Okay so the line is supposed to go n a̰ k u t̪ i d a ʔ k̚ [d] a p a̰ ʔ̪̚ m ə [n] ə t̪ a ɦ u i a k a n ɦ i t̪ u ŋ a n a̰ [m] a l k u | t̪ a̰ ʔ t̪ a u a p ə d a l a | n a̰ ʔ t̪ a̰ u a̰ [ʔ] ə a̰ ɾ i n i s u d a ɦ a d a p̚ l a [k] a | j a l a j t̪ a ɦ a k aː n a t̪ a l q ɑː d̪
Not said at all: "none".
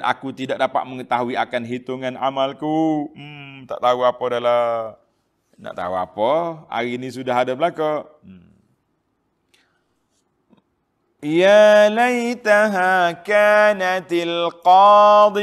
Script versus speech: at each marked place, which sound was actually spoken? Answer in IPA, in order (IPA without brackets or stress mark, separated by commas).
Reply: d, ŋ, m, p, k